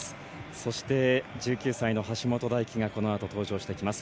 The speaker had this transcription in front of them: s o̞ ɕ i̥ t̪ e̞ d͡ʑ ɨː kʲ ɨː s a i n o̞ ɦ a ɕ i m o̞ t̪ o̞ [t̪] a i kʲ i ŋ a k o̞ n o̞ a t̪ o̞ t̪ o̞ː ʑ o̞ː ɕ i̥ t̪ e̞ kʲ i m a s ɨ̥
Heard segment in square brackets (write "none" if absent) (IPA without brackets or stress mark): d̪